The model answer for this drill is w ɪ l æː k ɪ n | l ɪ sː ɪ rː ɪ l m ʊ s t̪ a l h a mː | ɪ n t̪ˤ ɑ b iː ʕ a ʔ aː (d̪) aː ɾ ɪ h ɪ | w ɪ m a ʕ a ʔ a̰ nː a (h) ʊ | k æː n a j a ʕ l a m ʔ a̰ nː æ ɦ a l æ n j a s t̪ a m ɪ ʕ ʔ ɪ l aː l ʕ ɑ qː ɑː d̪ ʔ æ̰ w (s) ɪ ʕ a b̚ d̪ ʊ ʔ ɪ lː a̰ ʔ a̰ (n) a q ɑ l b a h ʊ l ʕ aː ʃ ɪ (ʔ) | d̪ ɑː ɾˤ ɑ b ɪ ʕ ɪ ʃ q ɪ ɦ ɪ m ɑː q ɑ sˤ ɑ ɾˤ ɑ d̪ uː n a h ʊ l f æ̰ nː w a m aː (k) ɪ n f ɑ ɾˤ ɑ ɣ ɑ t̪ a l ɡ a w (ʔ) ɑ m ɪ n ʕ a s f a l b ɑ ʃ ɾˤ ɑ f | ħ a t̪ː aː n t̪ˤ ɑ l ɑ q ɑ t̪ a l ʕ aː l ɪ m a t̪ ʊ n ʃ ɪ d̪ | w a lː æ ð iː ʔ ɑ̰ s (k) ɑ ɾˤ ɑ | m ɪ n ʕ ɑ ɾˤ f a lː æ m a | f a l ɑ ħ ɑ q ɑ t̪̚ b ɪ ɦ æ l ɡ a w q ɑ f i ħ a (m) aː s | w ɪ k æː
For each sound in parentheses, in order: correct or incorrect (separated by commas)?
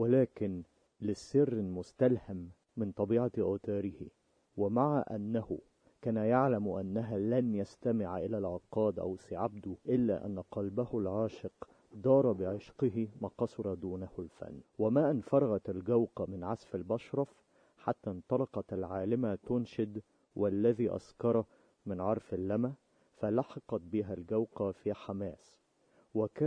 incorrect, correct, correct, incorrect, incorrect, incorrect, incorrect, correct, correct